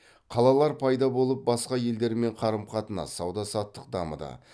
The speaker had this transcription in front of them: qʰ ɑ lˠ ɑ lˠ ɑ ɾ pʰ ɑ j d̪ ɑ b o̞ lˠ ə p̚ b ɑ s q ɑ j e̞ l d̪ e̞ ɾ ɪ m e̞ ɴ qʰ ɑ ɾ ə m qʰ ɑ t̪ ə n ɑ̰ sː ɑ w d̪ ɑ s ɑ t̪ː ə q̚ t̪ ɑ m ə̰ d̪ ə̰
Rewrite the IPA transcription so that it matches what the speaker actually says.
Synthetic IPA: qʰ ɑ lˠ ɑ lˠ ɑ ɾ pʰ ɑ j d̪ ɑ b o̞ lˠ ə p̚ b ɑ s q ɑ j e̞ l d̪ e̞ ɾ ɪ m e̞ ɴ qʰ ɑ ɾ ə m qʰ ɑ t̪ ə n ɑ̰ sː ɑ w d̪ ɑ s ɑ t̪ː ə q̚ d̪ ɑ m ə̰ d̪ ə̰